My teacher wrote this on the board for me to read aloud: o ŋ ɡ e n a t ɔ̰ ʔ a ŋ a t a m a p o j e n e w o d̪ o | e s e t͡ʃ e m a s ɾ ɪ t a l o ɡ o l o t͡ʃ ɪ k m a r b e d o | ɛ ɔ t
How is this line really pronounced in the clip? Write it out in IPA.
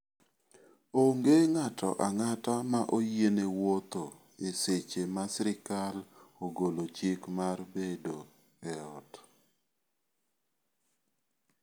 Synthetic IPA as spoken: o ŋ ɡ e ŋ a t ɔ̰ ʔ a ŋ a t a m a ʔ o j e n e w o t̪ o | e s e t͡ʃ e m a s ɾ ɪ k a l o ɡ o l o t͡ʃ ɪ k m a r b e d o | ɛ ɔ t

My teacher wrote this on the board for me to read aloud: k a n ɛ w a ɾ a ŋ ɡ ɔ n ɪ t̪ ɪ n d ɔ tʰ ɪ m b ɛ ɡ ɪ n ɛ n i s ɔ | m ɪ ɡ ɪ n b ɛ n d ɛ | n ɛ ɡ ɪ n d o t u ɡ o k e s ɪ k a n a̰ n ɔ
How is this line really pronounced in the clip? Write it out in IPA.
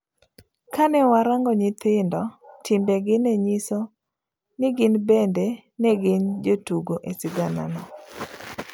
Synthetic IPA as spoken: k a n ɛ w a ɾ a ŋ ɡ ɔ ɲ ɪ t̪ ɪ n d ɔ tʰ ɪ m b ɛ ɡ ɪ n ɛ ɲ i s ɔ | n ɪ ɡ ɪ n b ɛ n d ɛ | n ɛ ɡ ɪ n d͡ʒ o t u ɡ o ʔ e s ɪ ɡ a n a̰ n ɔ

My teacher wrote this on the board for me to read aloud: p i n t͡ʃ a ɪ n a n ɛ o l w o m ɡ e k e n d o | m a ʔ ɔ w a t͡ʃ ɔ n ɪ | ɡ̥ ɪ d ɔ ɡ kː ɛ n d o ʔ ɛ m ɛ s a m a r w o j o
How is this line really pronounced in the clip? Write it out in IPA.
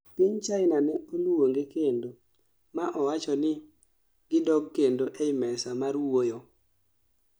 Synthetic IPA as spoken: p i ɲ t͡ʃ a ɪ n a n ɛ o l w o ŋ ɡ e k e n d o | m a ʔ ɔ w a t͡ʃ ɔ n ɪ | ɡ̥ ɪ d ɔ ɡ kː e n d o ʔ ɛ m ɛ s a m a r w o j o

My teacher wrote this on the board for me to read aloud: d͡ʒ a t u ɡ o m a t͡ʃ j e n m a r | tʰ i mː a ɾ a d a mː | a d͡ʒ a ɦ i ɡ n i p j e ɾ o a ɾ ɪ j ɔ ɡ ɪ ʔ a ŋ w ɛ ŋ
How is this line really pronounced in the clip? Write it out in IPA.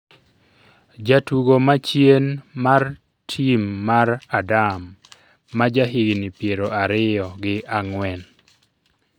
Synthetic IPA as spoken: d͡ʒ a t u ɡ o m a t͡ʃ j e n m a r | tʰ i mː a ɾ a d a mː | a d͡ʒ a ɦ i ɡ n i p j e ɾ o a ɾ ɪ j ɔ ɡ ɪ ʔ a ŋ w ɛ n

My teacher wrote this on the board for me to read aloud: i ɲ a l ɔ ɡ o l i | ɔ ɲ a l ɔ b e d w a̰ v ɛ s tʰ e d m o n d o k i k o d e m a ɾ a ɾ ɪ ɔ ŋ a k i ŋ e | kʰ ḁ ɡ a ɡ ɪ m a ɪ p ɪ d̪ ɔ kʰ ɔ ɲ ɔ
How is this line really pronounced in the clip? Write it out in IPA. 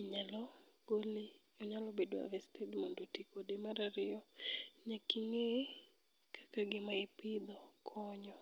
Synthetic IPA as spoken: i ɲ a l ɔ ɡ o l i | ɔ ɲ a l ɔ b e d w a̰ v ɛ s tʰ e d m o n d o t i k o d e m a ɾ a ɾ ɪ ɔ ɲ a k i ŋ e | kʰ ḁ k a ɡ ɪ m a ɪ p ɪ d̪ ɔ kʰ ɔ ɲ ɔ

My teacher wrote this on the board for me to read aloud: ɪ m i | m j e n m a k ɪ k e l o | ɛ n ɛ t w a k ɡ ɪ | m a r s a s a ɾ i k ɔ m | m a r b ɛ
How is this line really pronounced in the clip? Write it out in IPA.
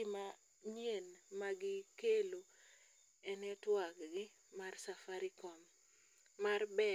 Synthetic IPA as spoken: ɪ m a | ɲ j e n m a ɡ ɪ k e l o | ɛ n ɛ t w a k ɡ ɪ | m a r s a f a ɾ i k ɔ m | m a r b ɛ

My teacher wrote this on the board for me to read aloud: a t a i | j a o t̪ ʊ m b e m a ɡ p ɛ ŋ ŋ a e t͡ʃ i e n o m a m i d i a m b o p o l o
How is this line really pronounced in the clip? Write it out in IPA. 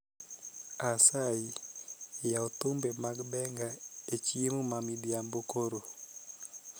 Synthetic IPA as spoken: a s a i | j a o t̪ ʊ m b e m a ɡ b ɛ ŋ ɡ a e t͡ʃ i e m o m a m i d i a m b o k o ɾ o

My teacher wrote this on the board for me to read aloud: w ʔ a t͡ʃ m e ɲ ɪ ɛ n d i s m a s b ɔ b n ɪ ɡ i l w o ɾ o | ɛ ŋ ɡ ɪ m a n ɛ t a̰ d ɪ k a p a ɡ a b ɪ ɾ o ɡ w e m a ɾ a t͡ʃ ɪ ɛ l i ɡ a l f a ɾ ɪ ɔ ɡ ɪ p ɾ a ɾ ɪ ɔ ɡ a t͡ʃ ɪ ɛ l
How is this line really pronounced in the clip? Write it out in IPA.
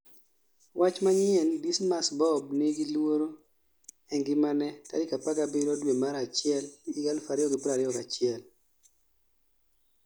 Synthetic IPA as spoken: w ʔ a t͡ʃ m a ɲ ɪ ɛ n d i s m a s b ɔ b n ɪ ɡ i l w o ɾ o | ɛ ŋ ɡ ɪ m a n ɛ t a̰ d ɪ k a p a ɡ a b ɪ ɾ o d w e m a ɾ a t͡ʃ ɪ ɛ l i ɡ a l f a ɾ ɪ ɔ ɡ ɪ p ɾ a ɾ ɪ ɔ k a t͡ʃ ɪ ɛ l

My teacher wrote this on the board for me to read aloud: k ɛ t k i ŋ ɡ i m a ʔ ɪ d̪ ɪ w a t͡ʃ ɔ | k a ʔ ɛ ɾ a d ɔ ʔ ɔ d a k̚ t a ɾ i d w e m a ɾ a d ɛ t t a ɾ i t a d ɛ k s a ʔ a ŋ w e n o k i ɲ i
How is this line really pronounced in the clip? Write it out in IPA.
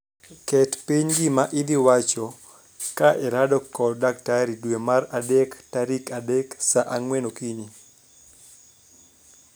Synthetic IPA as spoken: k ɛ t p i ɲ ɡ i m a ʔ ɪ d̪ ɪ w a t͡ʃ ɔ | k a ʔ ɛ ɾ a d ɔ k ɔ d a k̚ t a ɾ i d w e m a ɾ a d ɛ k t a ɾ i k a d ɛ k s a ʔ a ŋ w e n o k i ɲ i

